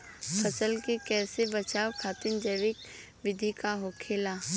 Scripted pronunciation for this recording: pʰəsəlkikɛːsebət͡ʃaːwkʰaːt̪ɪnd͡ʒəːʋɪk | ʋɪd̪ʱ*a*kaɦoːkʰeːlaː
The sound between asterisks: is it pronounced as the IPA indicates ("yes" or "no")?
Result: no